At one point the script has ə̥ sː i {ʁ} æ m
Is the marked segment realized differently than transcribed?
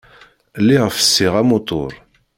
no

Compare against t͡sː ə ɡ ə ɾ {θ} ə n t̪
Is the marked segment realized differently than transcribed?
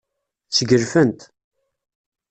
yes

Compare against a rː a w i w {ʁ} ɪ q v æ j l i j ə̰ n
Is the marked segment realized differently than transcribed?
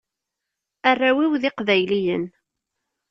yes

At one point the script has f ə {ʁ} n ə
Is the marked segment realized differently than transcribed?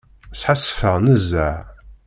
no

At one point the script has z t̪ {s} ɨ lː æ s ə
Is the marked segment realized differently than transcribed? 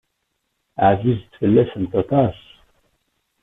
yes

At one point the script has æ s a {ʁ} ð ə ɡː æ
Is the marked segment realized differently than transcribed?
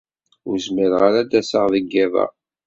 no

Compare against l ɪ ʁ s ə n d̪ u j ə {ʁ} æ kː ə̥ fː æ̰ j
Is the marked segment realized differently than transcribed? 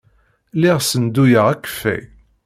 no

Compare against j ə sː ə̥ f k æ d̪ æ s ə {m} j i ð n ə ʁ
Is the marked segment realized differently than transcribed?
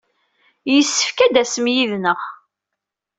no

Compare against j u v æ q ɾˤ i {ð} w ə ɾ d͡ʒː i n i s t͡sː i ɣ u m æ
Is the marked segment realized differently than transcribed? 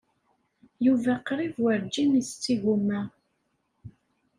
yes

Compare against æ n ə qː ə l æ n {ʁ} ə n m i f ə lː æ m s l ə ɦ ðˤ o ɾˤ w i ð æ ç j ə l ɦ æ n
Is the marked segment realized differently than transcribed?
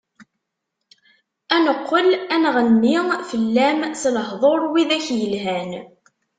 no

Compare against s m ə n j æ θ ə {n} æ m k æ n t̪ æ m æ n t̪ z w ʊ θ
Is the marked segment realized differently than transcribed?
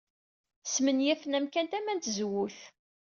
no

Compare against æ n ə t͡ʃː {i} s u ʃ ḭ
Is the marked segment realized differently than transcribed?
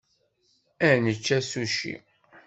yes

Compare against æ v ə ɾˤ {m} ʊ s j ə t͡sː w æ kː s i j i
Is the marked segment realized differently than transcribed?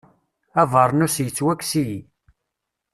yes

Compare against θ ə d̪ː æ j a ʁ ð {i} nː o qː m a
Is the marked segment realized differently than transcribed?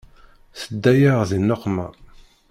no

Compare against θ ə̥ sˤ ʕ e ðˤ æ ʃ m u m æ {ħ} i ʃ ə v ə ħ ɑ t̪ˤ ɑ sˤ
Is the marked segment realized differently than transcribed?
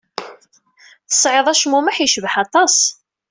no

